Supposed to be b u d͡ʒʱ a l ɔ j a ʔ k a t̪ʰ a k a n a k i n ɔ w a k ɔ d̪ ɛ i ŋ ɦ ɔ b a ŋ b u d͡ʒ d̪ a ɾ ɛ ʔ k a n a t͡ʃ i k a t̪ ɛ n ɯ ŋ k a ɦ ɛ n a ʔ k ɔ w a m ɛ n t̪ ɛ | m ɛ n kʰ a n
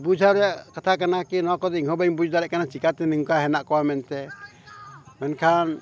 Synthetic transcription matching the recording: b u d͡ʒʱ a ɾ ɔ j a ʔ k a t̪ʰ a k a n a k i n ɔ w a k ɔ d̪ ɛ i ŋ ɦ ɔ b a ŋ b u d͡ʒ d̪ a ɾ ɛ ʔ k a n a t͡ʃ i k a t̪ ɛ n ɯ ŋ k a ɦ ɛ n a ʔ k ɔ w a m ɛ n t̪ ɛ | m ɛ n kʰ a n

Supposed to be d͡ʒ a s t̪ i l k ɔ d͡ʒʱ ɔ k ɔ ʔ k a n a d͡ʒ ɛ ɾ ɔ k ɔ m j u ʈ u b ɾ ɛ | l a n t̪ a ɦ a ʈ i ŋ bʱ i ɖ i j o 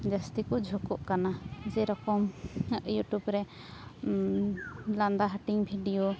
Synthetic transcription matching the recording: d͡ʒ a s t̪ i k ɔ d͡ʒʱ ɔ k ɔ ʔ k a n a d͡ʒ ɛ ɾ ɔ k ɔ m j u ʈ u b ɾ ɛ | l a n d̪ a ɦ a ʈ i ŋ bʱ i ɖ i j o

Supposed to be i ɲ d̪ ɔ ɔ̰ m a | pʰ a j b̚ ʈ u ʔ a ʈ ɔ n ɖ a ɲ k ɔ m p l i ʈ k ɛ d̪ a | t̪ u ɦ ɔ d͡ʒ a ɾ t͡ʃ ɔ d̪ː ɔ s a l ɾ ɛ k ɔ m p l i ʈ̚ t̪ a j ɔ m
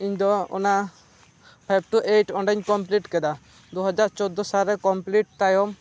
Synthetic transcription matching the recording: i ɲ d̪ ɔ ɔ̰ n a | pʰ a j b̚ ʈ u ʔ e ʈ ɔ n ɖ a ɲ k ɔ m p l i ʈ k ɛ d̪ a | d̪ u ɦ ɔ d͡ʒ a ɾ t͡ʃ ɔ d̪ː ɔ s a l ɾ ɛ k ɔ m p l i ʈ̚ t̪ a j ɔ m

